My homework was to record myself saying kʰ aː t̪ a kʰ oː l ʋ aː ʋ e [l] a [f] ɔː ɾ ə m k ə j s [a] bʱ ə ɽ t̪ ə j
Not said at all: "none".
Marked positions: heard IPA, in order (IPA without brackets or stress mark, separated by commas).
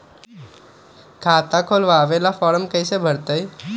l, f, e